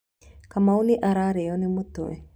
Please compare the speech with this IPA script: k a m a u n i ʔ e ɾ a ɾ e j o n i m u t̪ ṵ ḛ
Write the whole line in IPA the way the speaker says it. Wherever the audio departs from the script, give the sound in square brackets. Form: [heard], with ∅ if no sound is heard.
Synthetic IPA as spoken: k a m a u n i ʔ [a] ɾ a ɾ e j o n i m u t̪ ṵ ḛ